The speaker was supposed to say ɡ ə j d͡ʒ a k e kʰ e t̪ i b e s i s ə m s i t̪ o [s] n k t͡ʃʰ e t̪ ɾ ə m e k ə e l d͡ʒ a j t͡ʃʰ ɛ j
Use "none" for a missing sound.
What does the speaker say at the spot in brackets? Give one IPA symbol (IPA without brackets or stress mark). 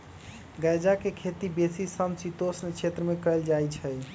s